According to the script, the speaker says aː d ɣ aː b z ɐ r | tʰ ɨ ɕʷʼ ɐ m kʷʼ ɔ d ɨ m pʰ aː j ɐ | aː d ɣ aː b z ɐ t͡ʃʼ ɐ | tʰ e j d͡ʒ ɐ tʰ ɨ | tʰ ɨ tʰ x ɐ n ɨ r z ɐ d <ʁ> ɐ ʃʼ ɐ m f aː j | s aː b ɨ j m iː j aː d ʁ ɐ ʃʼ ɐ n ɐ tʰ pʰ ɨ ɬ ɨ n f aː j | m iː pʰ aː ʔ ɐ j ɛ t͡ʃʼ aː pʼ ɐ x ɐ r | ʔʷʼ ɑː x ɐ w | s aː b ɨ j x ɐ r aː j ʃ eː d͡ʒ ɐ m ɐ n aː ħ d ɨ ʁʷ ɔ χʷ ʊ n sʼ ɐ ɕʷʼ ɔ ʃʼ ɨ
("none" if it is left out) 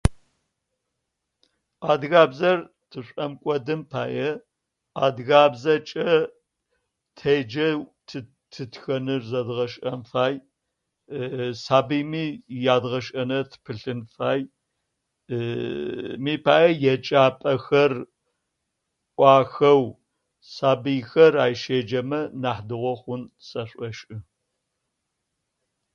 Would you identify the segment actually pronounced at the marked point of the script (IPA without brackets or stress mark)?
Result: ʁ